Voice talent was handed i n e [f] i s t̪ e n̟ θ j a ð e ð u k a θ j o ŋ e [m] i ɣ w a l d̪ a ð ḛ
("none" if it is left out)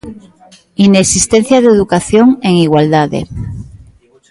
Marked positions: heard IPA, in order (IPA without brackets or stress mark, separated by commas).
s, ŋ